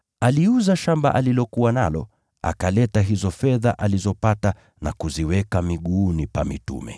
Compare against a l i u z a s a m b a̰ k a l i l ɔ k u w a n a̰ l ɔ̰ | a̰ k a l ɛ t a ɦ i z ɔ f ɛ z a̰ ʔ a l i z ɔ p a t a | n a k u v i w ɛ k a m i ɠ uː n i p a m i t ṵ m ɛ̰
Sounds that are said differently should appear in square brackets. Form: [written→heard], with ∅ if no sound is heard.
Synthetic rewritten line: a l i u z a [s→ʃ] a m b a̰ [k→ʔ] a l i l ɔ k u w a n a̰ l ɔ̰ | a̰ k a l ɛ t a ɦ i z ɔ f ɛ [z→ð] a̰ ʔ a l i z ɔ p a t a | n a k u [v→z] i w ɛ k a m i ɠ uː n i p a m i t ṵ m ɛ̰